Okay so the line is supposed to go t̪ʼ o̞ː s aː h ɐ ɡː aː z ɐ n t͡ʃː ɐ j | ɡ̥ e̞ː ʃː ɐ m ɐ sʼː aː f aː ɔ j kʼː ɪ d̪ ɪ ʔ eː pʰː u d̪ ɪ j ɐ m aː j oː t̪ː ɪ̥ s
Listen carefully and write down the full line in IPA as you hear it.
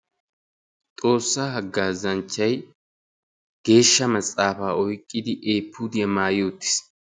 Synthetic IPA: t̪ʼ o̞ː sː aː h ɐ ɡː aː z ɐ n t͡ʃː ɐ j | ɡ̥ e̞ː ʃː ɐ m ɐ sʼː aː f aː ɔ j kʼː ɪ d̪ ɪ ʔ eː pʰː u d̪ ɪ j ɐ m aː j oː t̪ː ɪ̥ s

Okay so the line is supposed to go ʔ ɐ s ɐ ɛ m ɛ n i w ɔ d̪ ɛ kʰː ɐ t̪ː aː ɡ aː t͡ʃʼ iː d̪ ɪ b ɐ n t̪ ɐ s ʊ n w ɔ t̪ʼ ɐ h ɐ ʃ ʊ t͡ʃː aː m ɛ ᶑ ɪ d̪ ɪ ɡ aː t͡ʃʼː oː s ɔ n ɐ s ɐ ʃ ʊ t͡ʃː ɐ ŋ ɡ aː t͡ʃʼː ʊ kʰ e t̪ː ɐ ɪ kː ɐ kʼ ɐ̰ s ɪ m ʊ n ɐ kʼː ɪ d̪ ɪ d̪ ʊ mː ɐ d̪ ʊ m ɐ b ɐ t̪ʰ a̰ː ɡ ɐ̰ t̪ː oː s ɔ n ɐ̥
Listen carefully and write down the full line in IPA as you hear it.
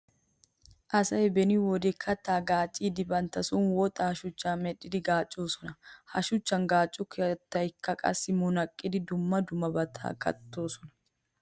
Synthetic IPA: ʔ ɐ s ɐ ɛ b ɛ n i w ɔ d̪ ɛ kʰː ɐ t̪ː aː ɡ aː t͡ʃʼ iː d̪ ɪ b ɐ n t̪ ɐ s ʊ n w ɔ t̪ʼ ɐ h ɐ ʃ ʊ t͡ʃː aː m ɛ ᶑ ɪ d̪ ɪ ɡ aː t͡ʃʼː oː s ɔ n ɐ h ɐ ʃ ʊ t͡ʃː ɐ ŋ ɡ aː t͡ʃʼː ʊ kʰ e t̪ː ɐ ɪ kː ɐ kʼ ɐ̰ s ɪ m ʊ n ɐ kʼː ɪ d̪ ɪ d̪ ʊ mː ɐ d̪ ʊ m ɐ b ɐ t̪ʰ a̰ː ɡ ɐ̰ t̪ː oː s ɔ n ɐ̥

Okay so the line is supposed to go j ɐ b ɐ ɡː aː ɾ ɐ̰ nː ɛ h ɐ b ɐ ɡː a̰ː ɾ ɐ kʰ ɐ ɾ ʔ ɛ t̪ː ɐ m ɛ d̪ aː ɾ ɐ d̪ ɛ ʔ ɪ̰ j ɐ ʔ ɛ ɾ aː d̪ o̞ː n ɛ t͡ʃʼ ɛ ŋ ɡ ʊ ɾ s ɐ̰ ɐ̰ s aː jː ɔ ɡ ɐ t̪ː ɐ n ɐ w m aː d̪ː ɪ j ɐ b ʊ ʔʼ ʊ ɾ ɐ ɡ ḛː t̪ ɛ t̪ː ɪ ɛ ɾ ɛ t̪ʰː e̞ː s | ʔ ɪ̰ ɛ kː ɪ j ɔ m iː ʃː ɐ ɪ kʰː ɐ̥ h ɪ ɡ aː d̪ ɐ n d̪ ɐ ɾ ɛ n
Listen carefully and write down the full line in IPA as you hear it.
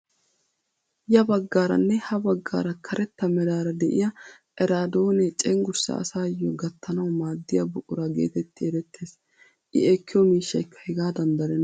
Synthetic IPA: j ɐ b ɐ ɡː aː ɾ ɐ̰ nː ɛ h ɐ b ɐ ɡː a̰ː ɾ ɐ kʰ ɐ ɾ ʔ ɛ t̪ː ɐ m ɛ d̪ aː ɾ ɐ d̪ ɛ ʔ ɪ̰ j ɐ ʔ ɛ ɾ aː d̪ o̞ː n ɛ t͡ʃʼ ɛ ŋ ɡ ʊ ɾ s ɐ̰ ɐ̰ s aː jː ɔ ɡ ɐ t̪ː ɐ n ɐ w m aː d̪ː ɪ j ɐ b ʊ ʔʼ ʊ ɾ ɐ ɡ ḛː t̪ ɛ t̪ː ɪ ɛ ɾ ɛ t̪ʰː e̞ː s | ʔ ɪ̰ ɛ kː ɪ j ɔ m iː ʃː ɐ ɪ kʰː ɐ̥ h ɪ ɡ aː d̪ ɐ n d̪ ɐ ɾ ɛ n

